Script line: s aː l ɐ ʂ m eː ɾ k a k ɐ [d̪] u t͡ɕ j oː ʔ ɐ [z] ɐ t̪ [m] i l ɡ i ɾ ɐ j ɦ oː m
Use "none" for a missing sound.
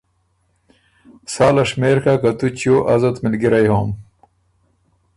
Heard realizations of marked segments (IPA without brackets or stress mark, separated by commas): t̪, z, m